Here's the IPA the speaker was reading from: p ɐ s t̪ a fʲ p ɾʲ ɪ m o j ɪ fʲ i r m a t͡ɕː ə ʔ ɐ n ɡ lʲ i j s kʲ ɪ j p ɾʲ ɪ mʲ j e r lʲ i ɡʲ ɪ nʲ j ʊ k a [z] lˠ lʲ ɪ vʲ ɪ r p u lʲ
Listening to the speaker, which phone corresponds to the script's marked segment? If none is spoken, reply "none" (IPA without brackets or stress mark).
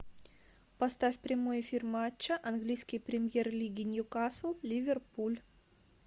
s